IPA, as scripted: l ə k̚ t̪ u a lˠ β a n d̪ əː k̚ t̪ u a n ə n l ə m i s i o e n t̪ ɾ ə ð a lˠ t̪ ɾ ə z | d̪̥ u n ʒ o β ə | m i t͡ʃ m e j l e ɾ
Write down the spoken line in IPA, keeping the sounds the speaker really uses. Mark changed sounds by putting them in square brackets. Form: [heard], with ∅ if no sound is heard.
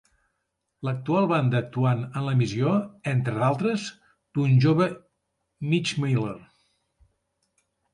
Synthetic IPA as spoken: l ə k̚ t̪ u a lˠ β a n d̪ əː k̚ t̪ u a n ə n l ə m i [z] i o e n t̪ ɾ ə ð a lˠ t̪ ɾ ə z | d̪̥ u n ʒ o β ə | m i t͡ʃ m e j l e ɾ